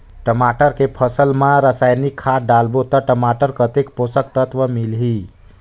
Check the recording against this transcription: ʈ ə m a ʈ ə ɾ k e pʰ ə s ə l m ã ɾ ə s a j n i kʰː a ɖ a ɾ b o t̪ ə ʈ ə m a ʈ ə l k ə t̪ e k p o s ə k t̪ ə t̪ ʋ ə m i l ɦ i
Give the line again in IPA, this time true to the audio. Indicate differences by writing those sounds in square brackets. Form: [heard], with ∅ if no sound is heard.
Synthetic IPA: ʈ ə m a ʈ ə ɾ k e pʰ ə s ə l m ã ɾ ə s a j n i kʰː a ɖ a [l] b o t̪ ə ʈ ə m a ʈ ə [ɾ] k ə t̪ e k p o s ə k t̪ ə t̪ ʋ ə m i l ɦ i